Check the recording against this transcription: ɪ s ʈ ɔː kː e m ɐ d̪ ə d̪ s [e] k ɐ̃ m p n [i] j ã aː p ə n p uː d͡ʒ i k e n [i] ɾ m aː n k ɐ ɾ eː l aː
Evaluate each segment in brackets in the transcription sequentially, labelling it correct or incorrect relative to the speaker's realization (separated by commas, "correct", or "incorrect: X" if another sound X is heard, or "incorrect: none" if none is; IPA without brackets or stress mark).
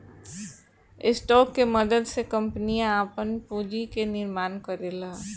correct, correct, incorrect: ɪ